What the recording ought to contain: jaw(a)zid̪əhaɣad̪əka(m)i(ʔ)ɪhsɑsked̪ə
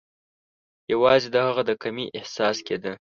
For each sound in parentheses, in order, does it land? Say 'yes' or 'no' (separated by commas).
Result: no, yes, yes